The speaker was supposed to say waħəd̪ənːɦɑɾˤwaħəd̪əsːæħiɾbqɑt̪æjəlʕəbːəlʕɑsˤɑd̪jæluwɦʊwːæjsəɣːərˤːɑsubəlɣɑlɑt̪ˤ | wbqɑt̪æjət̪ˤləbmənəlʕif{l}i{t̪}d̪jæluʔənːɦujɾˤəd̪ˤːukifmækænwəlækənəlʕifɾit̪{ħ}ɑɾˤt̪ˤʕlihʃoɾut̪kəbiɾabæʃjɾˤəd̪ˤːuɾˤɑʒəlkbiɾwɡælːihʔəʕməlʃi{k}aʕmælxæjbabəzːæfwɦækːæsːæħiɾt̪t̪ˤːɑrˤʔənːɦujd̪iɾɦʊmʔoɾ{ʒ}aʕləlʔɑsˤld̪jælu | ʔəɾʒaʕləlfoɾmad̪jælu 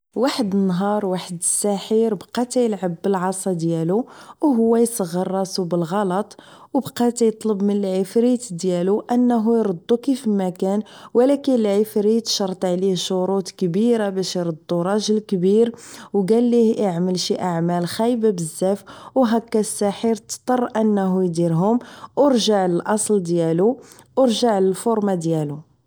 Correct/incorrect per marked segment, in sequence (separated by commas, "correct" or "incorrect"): incorrect, correct, incorrect, incorrect, correct